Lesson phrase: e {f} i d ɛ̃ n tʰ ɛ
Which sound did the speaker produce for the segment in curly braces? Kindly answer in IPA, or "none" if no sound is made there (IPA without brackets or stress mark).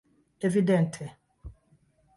v